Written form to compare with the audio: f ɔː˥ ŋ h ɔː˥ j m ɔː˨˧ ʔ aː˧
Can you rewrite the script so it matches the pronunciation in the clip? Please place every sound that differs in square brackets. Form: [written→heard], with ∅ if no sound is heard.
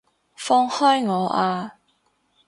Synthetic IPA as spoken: f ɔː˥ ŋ h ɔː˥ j [m→ŋ] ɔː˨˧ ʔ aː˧